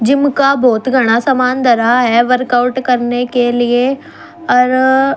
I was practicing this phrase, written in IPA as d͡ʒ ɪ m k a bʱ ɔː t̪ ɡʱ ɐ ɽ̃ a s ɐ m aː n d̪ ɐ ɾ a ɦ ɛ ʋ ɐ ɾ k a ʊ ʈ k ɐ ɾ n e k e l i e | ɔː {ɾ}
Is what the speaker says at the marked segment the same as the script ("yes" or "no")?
yes